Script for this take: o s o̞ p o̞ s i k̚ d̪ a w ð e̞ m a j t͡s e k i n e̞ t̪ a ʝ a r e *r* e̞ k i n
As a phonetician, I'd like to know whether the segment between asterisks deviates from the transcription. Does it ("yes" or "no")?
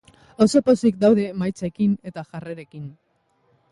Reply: yes